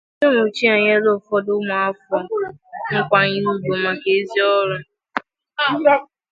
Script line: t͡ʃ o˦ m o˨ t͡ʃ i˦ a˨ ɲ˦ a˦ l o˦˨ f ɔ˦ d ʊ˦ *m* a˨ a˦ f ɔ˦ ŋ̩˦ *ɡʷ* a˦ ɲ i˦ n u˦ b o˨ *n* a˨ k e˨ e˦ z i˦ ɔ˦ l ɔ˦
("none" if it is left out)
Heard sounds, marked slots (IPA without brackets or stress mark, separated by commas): m, kʷ, m